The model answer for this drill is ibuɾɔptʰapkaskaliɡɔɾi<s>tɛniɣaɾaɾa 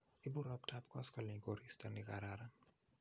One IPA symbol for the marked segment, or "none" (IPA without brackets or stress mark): s